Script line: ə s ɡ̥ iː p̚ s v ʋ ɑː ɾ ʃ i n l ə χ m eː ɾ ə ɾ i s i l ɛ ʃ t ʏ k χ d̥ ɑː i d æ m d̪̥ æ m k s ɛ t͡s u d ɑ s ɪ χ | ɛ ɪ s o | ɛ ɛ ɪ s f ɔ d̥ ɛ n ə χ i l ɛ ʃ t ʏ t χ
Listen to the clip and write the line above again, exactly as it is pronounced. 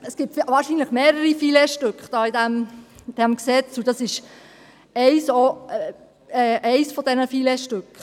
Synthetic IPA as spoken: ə s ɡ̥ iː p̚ t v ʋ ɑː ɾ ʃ i n l ə χ m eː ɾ ə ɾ i f i l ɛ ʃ t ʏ k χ d̥ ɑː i d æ m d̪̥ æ m k s ɛ t͡s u d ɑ s ɪ ʃ | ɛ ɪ s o | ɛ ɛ ɪ s f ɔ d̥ ɛ n ə f i l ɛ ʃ t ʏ k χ